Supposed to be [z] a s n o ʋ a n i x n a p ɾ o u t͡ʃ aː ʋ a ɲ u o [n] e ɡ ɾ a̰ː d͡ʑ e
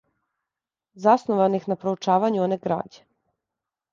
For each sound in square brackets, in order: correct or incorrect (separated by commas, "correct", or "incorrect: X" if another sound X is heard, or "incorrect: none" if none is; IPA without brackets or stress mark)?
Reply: correct, correct